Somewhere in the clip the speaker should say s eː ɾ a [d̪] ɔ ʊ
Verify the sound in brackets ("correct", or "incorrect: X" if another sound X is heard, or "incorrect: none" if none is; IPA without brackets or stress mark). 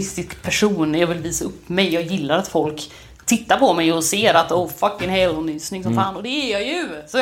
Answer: incorrect: t̪